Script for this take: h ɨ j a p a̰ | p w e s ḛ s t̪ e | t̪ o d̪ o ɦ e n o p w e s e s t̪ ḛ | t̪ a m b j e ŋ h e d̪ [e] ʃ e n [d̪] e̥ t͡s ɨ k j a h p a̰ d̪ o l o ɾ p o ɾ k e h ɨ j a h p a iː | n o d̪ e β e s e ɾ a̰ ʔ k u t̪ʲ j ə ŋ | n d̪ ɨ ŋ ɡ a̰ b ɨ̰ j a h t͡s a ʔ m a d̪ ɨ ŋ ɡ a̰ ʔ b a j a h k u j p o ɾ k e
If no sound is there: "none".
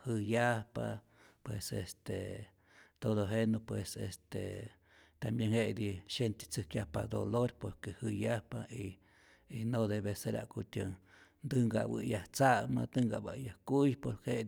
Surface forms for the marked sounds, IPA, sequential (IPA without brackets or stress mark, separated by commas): i, t̪